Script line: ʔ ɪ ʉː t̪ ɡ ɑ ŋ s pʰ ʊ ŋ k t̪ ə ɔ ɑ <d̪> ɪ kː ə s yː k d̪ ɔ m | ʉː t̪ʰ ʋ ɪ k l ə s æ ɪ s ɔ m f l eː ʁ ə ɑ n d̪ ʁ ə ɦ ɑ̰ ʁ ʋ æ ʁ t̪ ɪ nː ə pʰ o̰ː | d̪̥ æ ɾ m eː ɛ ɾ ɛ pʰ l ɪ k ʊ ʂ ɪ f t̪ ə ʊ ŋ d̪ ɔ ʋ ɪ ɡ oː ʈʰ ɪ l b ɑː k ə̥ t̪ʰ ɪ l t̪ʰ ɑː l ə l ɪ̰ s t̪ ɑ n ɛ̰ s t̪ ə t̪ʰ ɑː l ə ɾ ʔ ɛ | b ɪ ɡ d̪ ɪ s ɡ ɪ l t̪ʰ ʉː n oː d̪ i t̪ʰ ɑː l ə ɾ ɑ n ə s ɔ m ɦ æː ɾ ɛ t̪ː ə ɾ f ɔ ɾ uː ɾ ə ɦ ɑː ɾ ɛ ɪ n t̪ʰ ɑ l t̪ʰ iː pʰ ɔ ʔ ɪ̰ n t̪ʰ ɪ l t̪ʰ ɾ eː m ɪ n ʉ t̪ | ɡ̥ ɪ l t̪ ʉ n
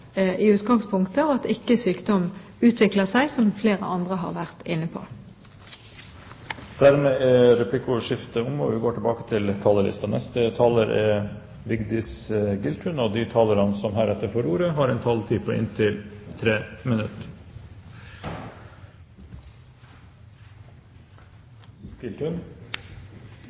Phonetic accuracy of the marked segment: incorrect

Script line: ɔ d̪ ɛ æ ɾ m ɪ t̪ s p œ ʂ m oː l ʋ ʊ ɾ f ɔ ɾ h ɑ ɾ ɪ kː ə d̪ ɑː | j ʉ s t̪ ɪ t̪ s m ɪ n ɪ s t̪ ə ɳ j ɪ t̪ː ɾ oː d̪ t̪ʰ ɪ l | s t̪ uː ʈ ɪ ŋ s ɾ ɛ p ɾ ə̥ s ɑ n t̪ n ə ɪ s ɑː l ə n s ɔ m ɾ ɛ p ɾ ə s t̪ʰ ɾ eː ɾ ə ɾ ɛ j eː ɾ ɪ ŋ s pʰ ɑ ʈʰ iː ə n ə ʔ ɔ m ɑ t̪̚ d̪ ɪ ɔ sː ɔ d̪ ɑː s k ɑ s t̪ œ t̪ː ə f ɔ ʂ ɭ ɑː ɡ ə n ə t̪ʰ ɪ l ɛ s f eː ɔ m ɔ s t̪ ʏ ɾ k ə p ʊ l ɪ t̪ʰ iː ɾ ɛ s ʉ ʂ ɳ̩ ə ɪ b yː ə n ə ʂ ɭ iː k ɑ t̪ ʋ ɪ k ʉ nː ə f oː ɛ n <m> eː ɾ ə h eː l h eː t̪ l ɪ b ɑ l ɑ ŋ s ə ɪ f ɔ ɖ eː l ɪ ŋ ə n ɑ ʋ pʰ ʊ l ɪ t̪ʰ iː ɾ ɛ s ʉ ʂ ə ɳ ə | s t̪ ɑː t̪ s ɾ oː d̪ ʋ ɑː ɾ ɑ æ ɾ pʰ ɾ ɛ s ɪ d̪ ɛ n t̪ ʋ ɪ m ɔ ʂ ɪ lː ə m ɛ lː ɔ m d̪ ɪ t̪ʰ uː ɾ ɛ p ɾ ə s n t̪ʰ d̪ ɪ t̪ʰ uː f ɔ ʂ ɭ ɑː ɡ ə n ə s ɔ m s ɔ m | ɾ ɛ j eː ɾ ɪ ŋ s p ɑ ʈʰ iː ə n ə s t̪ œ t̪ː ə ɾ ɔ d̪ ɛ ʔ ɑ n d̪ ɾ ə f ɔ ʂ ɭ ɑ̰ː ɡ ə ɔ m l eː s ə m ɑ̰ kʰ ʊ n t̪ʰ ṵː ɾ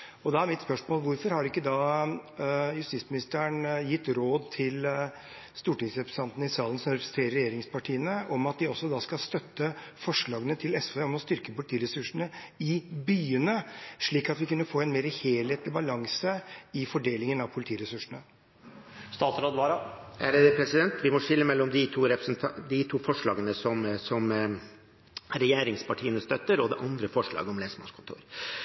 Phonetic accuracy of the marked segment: correct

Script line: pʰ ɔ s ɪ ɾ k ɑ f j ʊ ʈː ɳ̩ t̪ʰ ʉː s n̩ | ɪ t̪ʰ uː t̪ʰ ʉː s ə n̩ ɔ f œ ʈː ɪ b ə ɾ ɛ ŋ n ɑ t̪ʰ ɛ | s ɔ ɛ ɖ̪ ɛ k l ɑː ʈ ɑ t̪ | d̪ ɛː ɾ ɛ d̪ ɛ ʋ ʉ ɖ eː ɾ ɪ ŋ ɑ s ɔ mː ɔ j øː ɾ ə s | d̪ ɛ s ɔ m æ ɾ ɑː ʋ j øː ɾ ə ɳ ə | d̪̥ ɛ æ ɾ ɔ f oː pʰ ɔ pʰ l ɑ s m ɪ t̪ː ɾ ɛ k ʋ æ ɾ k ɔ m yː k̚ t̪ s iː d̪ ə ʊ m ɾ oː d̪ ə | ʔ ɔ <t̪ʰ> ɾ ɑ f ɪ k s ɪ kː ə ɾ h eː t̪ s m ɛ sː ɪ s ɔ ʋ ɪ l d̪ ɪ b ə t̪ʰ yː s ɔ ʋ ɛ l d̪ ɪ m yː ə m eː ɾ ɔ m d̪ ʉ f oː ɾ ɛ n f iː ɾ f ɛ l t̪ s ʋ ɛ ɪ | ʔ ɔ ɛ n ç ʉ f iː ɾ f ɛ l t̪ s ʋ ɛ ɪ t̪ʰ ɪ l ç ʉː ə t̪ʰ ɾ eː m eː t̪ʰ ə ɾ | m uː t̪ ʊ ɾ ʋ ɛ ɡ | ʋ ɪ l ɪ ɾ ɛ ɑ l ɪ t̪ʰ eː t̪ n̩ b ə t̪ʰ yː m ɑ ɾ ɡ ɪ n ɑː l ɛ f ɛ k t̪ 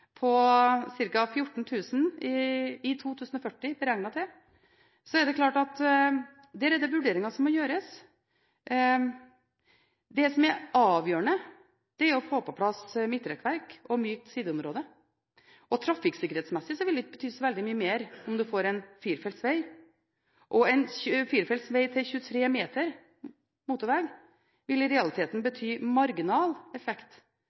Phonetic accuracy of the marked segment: correct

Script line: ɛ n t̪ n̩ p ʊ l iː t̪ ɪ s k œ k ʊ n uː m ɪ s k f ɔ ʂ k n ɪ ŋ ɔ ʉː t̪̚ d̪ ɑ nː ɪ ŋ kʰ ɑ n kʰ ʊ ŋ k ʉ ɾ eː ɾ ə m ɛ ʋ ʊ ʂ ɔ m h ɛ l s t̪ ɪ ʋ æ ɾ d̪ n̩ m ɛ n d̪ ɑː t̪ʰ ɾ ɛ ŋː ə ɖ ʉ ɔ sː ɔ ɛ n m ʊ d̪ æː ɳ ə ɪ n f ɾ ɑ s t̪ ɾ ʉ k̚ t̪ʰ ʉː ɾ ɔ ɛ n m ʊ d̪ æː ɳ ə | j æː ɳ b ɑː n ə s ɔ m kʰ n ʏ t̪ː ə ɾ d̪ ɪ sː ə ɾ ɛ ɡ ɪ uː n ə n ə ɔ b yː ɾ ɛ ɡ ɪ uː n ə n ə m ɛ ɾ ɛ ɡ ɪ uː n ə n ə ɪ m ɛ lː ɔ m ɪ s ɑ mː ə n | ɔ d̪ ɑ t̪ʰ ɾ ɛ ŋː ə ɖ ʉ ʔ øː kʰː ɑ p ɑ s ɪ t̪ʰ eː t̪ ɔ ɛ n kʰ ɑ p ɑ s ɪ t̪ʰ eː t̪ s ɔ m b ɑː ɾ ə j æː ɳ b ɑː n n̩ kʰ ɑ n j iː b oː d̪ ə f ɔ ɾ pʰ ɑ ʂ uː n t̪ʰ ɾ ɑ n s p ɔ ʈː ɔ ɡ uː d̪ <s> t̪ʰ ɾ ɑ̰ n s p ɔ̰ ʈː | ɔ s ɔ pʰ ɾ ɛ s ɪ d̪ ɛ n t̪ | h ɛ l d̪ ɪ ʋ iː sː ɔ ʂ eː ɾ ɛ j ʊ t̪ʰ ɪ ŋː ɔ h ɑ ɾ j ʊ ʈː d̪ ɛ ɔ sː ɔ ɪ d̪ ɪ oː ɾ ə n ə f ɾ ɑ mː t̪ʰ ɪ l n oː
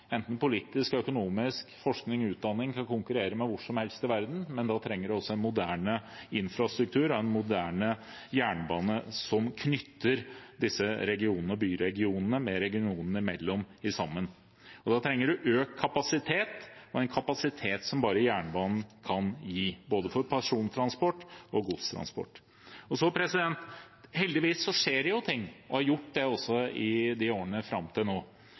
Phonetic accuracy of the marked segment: correct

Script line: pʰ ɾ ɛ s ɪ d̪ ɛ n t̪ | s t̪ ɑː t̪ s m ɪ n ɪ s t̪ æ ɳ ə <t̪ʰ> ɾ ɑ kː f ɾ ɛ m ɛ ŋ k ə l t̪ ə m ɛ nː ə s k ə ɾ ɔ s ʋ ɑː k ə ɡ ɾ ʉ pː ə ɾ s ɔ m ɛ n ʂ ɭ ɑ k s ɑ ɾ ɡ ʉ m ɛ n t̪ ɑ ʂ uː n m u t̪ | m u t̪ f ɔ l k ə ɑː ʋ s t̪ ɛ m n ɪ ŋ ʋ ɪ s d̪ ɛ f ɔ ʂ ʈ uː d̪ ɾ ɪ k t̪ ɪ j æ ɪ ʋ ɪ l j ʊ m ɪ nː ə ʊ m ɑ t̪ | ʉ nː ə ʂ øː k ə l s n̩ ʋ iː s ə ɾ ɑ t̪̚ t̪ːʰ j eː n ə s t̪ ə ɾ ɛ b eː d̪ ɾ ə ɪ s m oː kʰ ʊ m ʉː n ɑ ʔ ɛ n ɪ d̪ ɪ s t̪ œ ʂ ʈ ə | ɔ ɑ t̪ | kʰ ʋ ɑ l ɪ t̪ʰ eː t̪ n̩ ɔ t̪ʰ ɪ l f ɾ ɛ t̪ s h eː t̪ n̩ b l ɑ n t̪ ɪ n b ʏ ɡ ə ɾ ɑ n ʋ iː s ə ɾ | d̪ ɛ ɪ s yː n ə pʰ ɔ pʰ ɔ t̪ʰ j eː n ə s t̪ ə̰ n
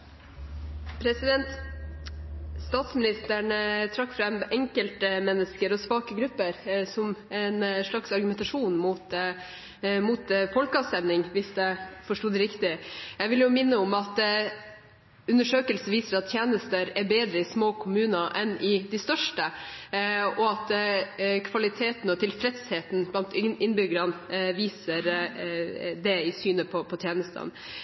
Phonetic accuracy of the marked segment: correct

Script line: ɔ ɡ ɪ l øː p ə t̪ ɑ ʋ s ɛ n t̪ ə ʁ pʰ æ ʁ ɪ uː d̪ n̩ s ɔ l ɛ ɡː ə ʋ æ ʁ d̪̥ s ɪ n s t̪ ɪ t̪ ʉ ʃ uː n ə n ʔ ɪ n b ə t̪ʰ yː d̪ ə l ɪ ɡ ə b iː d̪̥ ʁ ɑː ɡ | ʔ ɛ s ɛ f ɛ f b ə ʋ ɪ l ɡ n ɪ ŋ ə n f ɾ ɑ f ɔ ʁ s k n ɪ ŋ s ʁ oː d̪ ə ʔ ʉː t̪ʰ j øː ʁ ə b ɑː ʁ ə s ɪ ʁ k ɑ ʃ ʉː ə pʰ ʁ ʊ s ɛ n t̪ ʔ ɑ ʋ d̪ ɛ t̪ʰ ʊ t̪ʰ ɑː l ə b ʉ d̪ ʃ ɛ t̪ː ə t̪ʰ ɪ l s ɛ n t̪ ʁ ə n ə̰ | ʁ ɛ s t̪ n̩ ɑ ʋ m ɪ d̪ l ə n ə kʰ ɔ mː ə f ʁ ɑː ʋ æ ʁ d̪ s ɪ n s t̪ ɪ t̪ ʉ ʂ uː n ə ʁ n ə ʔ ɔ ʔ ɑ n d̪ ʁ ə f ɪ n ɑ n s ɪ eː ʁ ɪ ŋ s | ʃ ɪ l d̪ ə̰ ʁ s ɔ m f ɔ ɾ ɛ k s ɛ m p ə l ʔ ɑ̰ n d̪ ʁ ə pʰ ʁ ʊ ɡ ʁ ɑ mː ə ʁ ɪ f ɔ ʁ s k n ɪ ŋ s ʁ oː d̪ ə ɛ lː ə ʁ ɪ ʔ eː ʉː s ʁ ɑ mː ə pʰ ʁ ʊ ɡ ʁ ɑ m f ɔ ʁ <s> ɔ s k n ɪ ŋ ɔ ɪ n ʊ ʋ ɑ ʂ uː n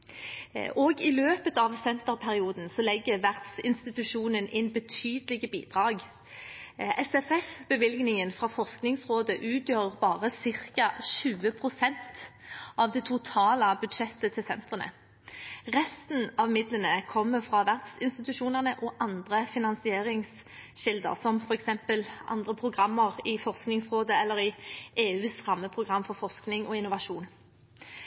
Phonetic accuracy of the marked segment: incorrect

